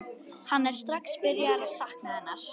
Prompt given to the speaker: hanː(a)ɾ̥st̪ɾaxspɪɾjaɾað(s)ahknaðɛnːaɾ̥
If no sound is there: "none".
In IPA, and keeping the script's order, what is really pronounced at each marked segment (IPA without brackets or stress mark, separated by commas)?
ɛ, s